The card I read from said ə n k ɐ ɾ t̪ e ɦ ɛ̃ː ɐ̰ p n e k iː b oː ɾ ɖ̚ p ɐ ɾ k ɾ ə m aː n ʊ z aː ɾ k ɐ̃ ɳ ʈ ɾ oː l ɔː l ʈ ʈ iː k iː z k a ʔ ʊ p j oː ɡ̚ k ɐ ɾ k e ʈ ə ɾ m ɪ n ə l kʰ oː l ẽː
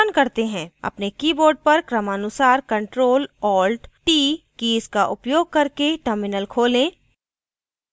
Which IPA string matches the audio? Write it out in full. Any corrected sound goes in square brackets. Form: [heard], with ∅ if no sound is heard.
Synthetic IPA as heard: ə n k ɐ ɾ t̪ e ɦ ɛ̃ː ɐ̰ p n e k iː b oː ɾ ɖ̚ p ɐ ɾ k ɾ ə m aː n ʊ [s] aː ɾ k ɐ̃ ɳ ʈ ɾ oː l ɔː l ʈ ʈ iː k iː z k a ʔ ʊ p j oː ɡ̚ k ɐ ɾ k e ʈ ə ɾ m ɪ n ə l kʰ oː l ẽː